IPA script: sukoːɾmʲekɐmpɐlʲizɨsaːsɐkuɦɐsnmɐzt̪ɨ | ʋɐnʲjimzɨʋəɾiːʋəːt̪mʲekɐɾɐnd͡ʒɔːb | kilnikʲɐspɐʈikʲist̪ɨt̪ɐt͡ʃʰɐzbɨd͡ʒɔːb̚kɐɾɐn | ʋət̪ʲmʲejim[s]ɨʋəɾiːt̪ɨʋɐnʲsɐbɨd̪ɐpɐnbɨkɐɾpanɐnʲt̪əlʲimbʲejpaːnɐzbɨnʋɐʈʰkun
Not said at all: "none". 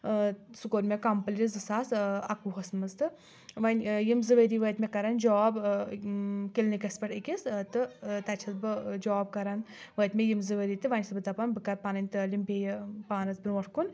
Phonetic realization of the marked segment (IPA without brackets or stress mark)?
z